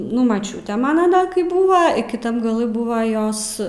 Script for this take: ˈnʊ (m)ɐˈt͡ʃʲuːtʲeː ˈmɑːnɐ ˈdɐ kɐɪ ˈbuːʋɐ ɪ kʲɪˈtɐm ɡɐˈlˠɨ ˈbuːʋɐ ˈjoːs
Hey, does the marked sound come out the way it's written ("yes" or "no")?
yes